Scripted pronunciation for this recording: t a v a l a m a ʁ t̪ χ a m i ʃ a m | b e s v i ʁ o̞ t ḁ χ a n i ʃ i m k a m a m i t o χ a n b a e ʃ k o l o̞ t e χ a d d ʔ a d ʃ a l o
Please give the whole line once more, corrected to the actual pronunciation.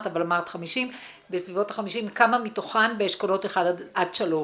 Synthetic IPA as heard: t a v a l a m a ʁ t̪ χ a m i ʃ i m | b e s v i v o̞ t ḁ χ a m i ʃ i m k a m a m i t o χ a n b e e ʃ k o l o̞ t e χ a d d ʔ a d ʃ a l o

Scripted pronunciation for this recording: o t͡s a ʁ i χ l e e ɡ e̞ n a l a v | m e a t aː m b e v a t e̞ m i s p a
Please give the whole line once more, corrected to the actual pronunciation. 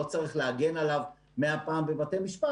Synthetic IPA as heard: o t͡s a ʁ i χ l e a ɡ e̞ n a l a v | m e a p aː m b e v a t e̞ m i ʃ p a

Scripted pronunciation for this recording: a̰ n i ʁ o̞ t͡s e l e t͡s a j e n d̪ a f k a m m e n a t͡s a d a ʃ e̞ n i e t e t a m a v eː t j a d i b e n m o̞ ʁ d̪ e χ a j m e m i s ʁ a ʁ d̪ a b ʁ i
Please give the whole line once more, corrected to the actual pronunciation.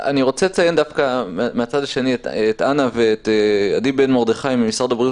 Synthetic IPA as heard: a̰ n i ʁ o̞ t͡s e l e t͡s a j e n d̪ a f k a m m e a t͡s a d a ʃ e̞ n i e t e t a n a v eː t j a d i b e n m o̞ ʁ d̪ e χ a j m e m i s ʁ a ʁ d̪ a b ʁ i

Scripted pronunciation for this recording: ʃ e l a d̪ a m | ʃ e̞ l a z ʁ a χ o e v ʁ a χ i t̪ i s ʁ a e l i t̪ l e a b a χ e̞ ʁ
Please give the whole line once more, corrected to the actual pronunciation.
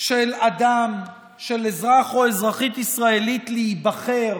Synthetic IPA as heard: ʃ e l a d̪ a m | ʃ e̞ l e z ʁ a χ o e z ʁ a χ i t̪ i s ʁ a e l i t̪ l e i b a χ e̞ ʁ

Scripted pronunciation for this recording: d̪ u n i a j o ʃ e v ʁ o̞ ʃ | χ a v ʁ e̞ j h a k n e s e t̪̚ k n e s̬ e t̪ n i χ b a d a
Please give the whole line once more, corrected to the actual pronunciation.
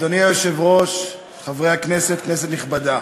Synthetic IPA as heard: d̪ o n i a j o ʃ e v ʁ o̞ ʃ | χ a v ʁ e̞ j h a k n e s e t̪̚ k n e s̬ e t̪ n i χ b a d a

